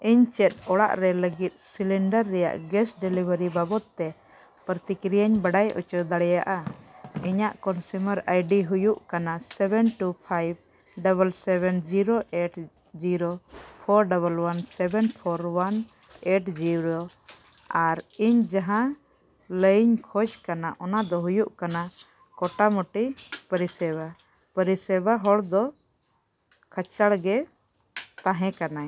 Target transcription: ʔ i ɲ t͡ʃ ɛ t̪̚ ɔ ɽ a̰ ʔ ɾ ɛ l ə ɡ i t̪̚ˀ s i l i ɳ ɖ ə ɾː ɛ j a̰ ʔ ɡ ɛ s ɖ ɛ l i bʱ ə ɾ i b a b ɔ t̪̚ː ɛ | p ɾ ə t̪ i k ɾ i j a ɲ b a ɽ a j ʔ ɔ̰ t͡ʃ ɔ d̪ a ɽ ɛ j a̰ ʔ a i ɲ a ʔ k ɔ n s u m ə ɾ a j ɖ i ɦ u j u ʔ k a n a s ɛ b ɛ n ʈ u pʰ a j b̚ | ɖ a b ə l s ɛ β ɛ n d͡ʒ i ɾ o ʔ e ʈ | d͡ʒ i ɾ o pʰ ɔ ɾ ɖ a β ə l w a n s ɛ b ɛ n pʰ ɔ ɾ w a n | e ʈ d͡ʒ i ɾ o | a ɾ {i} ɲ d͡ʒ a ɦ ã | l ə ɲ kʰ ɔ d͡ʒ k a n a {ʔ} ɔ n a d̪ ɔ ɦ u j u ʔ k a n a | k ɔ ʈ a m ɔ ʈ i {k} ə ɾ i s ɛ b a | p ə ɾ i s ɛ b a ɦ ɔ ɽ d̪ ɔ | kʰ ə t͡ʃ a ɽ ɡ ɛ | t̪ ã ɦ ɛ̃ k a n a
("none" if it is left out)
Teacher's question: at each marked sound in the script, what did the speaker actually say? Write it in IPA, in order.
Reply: i, ʔ, p

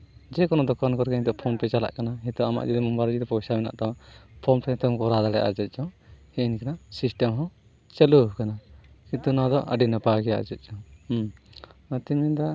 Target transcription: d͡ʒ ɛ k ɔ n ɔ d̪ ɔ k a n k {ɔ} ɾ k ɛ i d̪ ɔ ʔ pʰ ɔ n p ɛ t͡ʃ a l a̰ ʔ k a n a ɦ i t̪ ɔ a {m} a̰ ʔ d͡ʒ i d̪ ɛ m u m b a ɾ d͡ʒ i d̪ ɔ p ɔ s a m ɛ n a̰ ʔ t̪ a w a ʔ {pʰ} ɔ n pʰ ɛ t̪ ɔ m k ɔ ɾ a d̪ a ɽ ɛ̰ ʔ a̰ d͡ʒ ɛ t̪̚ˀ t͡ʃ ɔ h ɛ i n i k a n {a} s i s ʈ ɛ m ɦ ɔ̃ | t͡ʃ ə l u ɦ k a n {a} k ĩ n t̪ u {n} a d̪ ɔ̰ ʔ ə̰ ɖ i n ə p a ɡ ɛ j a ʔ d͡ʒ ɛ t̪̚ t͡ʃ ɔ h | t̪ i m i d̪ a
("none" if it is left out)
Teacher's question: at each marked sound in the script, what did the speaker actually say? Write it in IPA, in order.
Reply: ɔ, m, pʰ, a, a, n

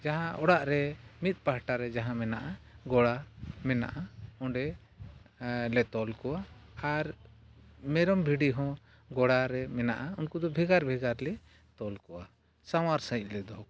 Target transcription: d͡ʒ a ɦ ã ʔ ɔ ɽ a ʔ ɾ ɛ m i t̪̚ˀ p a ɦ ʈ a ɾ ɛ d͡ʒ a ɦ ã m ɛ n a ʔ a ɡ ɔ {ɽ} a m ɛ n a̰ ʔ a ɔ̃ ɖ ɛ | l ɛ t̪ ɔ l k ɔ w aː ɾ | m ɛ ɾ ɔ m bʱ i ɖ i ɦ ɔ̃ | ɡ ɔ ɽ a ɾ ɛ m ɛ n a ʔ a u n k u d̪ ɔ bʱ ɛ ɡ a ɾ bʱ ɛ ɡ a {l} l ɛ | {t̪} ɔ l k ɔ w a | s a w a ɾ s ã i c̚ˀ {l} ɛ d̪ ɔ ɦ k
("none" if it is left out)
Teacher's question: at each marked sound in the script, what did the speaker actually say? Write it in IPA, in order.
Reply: ɽ, ɾ, t̪, l

